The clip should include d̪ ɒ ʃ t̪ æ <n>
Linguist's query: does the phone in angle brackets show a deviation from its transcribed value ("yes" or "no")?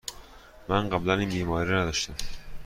yes